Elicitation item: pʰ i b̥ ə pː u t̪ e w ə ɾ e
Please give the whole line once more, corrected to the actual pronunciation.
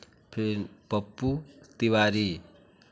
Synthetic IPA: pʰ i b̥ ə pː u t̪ i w a ɾ i